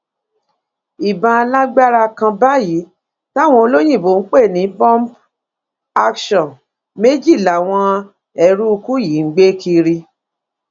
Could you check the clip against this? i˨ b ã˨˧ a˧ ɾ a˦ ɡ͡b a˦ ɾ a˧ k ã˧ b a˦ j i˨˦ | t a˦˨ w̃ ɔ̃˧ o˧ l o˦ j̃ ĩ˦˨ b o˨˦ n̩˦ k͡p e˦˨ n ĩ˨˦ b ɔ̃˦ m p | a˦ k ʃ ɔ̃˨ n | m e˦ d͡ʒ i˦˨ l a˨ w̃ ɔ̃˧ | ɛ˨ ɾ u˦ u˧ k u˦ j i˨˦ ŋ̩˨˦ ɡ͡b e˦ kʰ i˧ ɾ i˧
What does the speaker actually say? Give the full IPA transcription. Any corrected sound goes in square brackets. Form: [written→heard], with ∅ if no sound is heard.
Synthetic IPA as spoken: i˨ b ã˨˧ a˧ [ɾ→l] a˦ ɡ͡b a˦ ɾ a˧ k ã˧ b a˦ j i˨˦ | t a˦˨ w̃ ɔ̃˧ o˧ l o˦ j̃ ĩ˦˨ b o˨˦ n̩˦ k͡p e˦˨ n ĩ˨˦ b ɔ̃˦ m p | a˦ k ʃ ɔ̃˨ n | m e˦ d͡ʒ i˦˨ l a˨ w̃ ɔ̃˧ | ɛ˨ ɾ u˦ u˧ k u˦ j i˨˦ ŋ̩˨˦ ɡ͡b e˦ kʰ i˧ ɾ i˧